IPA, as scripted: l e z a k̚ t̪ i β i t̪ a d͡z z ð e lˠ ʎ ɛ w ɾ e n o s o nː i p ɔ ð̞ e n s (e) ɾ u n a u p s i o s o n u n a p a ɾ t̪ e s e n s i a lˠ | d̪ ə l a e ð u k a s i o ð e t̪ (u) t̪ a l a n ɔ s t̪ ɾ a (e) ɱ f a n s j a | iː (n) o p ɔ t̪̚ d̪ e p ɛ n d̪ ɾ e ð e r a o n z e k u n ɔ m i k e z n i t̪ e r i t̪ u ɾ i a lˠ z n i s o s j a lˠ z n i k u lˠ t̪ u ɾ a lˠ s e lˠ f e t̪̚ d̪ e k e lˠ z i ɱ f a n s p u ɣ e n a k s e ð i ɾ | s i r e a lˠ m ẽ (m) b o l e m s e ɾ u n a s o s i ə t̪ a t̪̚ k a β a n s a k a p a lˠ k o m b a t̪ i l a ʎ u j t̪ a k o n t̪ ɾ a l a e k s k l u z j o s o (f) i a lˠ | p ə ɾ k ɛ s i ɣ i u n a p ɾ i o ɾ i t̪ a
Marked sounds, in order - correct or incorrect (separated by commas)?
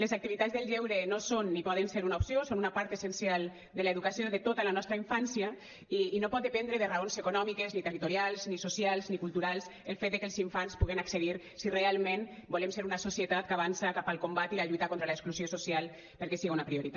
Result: correct, incorrect, incorrect, correct, incorrect, incorrect